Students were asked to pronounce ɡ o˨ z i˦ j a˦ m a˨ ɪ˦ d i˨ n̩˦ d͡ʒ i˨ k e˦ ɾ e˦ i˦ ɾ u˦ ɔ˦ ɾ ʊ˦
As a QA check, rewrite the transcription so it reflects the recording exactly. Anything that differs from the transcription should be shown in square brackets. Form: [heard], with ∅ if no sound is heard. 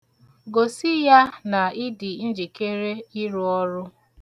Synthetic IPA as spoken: ɡ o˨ [s] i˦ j a˦ [n] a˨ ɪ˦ d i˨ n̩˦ d͡ʒ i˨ k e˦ ɾ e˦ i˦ ɾ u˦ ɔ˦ ɾ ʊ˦